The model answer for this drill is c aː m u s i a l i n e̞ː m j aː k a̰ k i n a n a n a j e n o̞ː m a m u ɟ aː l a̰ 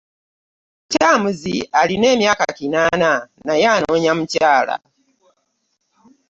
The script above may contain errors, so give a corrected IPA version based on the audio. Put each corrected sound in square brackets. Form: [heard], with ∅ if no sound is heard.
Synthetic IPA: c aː m u [z] i a l i n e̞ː m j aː k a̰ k i n a n a n a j [a] n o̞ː [ɲ] a m u [c] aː l a̰

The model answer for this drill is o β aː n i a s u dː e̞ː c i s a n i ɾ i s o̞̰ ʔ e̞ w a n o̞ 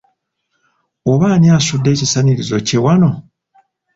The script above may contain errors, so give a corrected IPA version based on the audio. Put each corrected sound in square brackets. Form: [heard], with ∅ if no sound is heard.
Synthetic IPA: o β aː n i a s u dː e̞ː c i s a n i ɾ i [z] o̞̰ [c] e̞ w a n o̞

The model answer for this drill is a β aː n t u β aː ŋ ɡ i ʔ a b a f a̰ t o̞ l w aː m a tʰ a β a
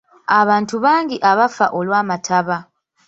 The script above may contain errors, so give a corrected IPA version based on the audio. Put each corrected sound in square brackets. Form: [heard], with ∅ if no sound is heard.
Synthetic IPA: a β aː n t u β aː ŋ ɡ i ʔ a [β] a f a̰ [ʔ] o̞ l w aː m a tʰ a β a

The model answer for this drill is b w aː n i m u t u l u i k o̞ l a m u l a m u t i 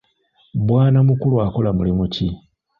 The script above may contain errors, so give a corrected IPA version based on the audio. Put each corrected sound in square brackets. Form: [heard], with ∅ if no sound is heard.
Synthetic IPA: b w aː n [a] m u [k] u l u [a] k o̞ l a m u l [i] m u [c] i

